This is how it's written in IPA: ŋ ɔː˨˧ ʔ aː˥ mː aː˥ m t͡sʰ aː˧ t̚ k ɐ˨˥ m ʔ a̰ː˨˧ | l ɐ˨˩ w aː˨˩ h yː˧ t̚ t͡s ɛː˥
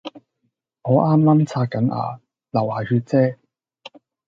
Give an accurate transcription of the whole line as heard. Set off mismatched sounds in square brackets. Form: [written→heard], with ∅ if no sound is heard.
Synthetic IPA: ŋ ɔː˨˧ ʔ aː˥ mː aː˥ m t͡sʰ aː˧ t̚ k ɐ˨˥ [m→n] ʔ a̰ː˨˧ | l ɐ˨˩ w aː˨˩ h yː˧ t̚ t͡s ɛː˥